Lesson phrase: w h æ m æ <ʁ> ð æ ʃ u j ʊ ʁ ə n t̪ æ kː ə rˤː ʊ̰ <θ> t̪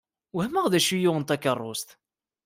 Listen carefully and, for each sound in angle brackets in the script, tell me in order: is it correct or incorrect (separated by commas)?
correct, incorrect